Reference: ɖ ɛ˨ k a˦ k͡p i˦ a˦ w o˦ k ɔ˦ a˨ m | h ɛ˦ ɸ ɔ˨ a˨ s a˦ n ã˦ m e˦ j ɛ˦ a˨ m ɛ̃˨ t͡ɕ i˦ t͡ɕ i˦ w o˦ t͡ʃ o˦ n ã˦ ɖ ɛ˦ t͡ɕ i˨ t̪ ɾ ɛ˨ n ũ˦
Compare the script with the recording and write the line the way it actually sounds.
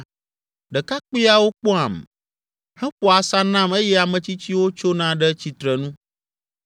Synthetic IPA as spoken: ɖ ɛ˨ k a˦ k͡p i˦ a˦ w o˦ k͡p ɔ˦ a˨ m | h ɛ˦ ɸ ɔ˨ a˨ s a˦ n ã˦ m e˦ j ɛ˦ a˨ m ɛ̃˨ t͡ɕ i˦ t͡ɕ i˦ w o˦ t͡ʃ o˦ n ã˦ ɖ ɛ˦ t͡ɕ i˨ t̪ ɾ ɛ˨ n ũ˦